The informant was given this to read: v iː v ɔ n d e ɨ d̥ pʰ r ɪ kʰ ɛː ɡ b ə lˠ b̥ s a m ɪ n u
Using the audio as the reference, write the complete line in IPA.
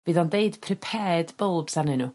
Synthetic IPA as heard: v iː ð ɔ n d e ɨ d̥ pʰ r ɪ pʰ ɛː d b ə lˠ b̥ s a n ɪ n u